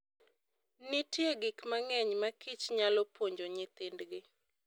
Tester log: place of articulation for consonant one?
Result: alveolar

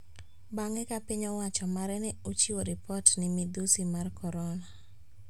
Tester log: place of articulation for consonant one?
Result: labial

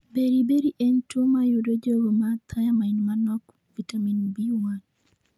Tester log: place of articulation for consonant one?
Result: labial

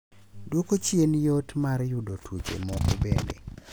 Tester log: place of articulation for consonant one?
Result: alveolar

